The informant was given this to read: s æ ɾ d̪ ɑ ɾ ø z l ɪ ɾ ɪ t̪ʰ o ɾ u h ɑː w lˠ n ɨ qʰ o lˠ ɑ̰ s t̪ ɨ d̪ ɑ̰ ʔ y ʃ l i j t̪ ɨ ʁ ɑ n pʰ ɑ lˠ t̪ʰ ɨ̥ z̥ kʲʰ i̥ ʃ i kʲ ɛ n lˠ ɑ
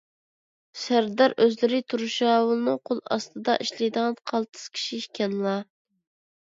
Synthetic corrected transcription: s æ ɾ d̪ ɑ ɾ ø z l ɪ ɾ ɪ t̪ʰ u ɾ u ʃ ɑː w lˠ n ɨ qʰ o lˠ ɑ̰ s t̪ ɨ d̪ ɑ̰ ʔ i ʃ l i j d̪ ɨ ʁ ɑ n qʰ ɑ lˠ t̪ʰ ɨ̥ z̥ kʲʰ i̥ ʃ i kʲ ɛ n lˠ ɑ

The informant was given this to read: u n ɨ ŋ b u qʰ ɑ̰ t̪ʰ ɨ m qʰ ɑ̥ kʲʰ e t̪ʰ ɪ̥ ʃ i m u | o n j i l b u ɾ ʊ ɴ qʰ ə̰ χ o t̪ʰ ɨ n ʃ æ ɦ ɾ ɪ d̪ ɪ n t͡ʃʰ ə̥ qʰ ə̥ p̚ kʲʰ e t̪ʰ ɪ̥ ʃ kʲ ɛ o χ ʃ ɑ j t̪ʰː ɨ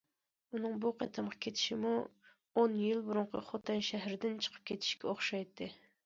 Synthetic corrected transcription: u n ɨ ŋ b u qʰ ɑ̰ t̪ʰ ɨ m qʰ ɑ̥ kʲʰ e t̪ʰ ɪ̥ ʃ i m u | o n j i l b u ɾ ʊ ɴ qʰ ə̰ χ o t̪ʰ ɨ n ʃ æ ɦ ɾ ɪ d̪ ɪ n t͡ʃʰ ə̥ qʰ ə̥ p̚ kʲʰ e t̪ʰ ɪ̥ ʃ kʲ ɛ o χ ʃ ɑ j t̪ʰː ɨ

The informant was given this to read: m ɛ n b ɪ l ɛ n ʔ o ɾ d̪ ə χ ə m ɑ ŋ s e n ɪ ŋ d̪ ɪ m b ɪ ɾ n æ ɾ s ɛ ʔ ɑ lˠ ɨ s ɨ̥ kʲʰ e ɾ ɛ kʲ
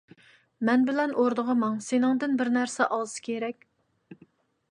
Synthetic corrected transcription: m ɛ n b ɪ l ɛ n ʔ o ɾ d̪ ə ʁ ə m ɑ ŋ s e n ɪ ŋ d̪ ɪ n b ɪ ɾ n æ ɾ s ɛ ʔ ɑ lˠ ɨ s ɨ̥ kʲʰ e ɾ ɛ kʲ

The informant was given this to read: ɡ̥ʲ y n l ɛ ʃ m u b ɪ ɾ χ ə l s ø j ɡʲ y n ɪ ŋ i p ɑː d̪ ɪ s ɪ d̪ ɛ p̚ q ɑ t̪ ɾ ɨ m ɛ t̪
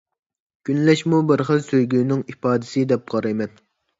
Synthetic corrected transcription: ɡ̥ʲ y n l ɛ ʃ m u b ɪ ɾ χ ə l s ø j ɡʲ y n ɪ ŋ i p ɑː d̪ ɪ s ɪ d̪ ɛ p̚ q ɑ ɾ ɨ m ɛ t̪

